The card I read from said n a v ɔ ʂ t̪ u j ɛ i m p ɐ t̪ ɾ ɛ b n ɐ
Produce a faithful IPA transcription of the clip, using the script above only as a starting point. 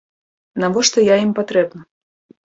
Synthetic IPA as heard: n a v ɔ ʂ t̪ ɔ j a i m p a t̪ ɾ ɛ b n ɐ